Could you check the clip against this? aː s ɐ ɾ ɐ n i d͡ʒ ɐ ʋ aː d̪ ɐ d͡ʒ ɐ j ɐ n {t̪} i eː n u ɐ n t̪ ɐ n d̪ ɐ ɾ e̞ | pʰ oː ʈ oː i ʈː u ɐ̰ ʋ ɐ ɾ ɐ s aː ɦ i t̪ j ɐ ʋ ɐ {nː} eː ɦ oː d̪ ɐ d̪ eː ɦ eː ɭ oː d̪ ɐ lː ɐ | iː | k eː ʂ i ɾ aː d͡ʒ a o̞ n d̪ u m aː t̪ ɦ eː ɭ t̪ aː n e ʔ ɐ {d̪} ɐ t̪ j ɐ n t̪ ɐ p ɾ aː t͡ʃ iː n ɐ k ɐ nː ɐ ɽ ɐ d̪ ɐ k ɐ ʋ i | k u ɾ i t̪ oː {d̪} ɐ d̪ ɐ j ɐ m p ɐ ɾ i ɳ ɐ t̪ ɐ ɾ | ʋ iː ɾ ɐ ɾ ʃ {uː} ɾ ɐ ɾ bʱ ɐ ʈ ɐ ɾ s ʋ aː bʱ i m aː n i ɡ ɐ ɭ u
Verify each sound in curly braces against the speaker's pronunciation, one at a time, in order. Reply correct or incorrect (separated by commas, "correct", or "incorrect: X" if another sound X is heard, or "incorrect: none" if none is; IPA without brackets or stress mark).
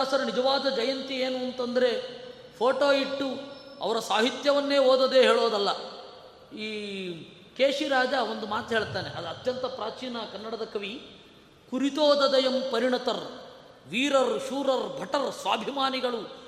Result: correct, correct, correct, correct, correct